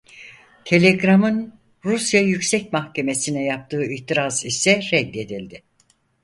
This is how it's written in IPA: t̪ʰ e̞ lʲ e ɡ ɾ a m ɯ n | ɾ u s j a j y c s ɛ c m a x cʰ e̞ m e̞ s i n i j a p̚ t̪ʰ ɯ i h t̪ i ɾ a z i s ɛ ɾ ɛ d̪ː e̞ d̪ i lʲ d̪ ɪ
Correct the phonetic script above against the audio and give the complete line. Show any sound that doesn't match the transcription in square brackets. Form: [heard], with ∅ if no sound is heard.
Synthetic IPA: t̪ʰ e̞ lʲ e ɡ ɾ a m ɯ n | ɾ u s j a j y c s ɛ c m a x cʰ e̞ m e̞ s i n [ɛ] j a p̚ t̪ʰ [ɯː] i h t̪ i ɾ a z i s ɛ ɾ ɛ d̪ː e̞ d̪ i lʲ d̪ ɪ